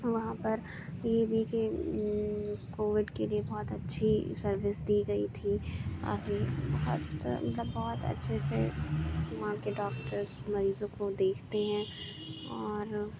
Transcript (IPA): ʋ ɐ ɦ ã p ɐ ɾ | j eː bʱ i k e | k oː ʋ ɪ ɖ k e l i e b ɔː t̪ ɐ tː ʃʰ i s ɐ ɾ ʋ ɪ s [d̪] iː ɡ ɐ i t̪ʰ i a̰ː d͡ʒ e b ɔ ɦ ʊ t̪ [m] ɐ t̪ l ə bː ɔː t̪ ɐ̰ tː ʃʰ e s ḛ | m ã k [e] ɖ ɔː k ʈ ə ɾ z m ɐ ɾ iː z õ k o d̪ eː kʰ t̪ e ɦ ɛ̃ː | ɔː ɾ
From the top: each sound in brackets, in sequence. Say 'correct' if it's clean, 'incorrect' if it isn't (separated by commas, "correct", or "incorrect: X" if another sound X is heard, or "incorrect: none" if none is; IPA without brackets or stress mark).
correct, correct, correct